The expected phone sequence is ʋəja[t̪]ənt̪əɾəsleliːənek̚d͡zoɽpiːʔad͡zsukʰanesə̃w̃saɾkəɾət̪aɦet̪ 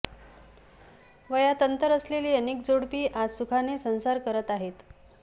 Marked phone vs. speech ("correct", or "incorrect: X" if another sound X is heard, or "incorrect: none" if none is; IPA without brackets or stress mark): correct